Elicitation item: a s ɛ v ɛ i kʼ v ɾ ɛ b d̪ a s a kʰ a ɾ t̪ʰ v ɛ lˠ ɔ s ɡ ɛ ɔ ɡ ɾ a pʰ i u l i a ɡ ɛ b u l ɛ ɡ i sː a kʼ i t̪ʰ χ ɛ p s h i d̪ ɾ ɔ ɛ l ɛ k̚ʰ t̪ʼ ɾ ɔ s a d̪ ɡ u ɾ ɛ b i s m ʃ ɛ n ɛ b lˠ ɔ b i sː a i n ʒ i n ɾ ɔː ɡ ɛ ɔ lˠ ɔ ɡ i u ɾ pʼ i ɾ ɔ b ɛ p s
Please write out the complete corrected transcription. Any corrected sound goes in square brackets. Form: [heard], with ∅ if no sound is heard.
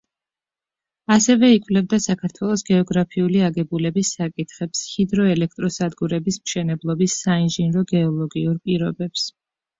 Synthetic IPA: a s ɛ v ɛ i kʼ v [l] ɛ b d̪ a s a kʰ a ɾ t̪ʰ [w] ɛ lˠ ɔ s ɡ ɛ ɔ ɡ ɾ a pʰ i u l i a ɡ ɛ b u l ɛ [b] i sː a kʼ i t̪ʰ χ ɛ p s h i d̪ ɾ ɔ ɛ l ɛ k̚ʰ t̪ʼ ɾ ɔ s a d̪ ɡ u ɾ ɛ b i s m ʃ ɛ n ɛ b lˠ ɔ b i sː a i n ʒ i n ɾ [ɔ] ɡ ɛ ɔ lˠ ɔ ɡ i u ɾ pʼ i ɾ ɔ b ɛ p s

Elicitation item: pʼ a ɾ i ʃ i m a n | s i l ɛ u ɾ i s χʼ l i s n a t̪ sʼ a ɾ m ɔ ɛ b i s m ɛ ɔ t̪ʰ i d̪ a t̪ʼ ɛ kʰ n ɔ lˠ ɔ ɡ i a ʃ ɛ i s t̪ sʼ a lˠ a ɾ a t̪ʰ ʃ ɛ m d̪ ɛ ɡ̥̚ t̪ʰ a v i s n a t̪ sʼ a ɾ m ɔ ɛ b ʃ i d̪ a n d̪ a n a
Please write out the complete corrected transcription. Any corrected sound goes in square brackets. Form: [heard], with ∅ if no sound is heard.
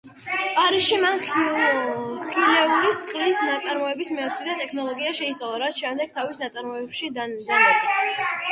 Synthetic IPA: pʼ a ɾ i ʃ i m a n | [χ] i l ɛ u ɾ i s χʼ l i s n a t̪ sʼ a ɾ m ɔ ɛ b i s m ɛ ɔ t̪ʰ i d̪ a t̪ʼ ɛ kʰ n ɔ lˠ ɔ ɡ i a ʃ ɛ i s t̪ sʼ a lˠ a ɾ a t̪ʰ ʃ ɛ m d̪ ɛ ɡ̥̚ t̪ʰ a v i s n a t̪ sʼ a ɾ m ɔ ɛ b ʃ i d̪ a n d̪ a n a

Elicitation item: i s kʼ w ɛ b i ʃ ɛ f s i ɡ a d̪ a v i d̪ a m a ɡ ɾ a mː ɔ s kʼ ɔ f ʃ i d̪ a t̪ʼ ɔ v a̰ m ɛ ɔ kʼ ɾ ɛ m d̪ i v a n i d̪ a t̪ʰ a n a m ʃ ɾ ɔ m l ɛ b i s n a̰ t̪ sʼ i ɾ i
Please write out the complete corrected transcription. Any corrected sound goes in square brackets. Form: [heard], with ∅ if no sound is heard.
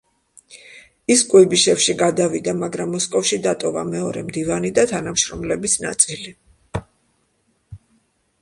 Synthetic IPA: i s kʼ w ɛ b i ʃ ɛ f [ʃ] i ɡ a d̪ a v i d̪ a m a ɡ ɾ a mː ɔ s kʼ ɔ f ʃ i d̪ a t̪ʼ ɔ v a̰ m ɛ ɔ [∅] ɾ ɛ m d̪ i v a n i d̪ a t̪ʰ a n a m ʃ ɾ ɔ m l ɛ b i s n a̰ t̪ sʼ i [l] i

